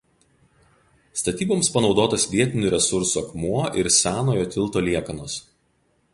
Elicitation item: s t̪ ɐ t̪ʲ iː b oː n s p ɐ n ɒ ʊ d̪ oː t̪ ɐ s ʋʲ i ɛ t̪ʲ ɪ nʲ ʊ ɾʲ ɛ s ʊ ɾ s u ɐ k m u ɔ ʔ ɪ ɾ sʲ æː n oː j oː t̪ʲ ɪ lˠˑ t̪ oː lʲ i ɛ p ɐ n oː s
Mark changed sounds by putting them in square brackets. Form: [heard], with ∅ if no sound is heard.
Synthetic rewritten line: s t̪ ɐ t̪ʲ iː b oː [m] s p ɐ n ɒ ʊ d̪ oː t̪ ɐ s ʋʲ i ɛ t̪ʲ ɪ nʲ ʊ ɾʲ ɛ s ʊ ɾ s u ɐ k m u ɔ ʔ ɪ ɾ sʲ æː n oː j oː t̪ʲ ɪ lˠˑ t̪ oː lʲ i ɛ [k] ɐ n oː s